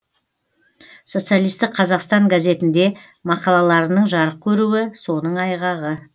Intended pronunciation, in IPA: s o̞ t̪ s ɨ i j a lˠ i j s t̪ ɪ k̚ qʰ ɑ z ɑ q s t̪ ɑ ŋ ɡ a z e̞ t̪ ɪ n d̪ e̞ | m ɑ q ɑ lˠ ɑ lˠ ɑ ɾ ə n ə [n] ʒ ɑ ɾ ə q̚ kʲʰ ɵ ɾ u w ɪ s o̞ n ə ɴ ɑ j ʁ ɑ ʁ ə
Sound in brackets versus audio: incorrect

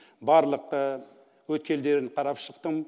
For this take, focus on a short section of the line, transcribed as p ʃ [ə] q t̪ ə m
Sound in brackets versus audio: correct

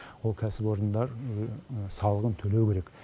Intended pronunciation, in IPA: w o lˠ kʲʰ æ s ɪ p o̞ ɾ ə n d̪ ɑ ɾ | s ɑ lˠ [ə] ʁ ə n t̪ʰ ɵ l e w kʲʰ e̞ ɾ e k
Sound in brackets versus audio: correct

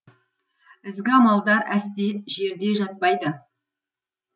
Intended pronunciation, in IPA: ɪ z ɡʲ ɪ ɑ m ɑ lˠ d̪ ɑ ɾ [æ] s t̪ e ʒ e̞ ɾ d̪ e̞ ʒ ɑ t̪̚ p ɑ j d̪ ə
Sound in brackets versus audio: correct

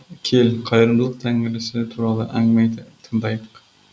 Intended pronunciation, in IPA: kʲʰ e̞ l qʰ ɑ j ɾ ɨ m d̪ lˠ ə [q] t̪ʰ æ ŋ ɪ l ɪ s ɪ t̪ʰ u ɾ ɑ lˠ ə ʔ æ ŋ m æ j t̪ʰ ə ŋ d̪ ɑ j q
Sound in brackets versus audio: correct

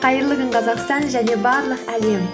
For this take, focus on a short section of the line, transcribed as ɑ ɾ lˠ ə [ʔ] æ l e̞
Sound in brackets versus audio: incorrect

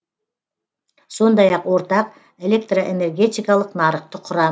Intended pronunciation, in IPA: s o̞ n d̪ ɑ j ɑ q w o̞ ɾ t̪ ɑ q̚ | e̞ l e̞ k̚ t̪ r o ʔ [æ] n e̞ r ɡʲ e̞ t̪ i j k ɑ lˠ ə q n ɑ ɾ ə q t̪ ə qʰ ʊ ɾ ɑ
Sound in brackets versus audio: incorrect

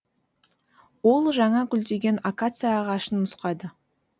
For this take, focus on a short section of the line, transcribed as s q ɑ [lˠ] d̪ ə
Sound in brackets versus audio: incorrect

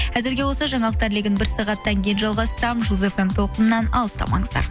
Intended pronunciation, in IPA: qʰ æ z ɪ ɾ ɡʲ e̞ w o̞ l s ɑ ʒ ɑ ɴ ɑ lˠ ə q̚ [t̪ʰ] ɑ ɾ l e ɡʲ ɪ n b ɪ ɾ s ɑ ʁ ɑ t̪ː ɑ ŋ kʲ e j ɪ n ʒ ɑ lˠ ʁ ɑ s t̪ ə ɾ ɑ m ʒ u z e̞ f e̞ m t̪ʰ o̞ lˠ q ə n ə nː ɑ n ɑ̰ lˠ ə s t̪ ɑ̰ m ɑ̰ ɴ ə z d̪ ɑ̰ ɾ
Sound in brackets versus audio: incorrect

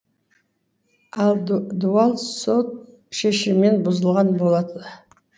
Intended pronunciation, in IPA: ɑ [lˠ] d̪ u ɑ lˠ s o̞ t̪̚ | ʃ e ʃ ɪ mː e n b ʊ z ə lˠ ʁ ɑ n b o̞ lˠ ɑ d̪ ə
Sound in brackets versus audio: correct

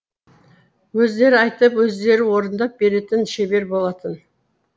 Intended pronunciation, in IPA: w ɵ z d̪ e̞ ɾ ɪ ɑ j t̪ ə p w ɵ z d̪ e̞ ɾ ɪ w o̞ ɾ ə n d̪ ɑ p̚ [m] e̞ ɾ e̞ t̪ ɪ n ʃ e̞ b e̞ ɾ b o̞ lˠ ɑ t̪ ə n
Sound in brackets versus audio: incorrect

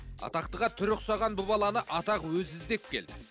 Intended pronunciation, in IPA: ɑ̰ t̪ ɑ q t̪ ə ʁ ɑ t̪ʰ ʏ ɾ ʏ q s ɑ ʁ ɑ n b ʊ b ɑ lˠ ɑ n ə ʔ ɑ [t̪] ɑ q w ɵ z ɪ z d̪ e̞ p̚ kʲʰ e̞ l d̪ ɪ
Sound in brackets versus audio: correct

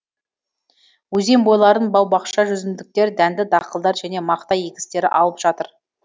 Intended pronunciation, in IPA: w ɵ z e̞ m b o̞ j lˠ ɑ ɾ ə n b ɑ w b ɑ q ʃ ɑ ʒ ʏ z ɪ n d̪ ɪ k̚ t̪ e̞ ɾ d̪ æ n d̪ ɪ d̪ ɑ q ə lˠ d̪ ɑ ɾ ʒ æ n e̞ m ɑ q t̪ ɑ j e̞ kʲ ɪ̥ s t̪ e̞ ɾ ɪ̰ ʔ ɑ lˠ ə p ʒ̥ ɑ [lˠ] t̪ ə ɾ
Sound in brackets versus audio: incorrect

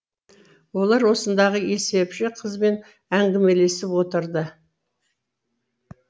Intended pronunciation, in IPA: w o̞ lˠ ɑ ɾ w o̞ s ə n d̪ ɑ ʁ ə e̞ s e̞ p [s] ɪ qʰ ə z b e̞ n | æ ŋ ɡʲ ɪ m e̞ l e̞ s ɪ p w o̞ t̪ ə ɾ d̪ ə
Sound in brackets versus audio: incorrect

